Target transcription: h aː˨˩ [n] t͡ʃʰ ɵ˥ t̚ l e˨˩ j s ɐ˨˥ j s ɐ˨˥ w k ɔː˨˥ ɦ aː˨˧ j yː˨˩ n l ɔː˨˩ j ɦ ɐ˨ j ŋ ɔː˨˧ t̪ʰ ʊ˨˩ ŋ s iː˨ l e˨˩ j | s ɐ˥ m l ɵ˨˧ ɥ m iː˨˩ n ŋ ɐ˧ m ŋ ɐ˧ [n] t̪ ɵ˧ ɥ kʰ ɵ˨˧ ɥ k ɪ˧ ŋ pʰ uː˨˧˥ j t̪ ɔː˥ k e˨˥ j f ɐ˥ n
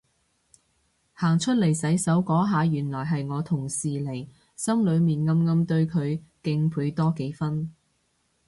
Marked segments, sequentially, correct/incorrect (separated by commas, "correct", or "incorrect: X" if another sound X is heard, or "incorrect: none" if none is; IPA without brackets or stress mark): incorrect: ŋ, incorrect: m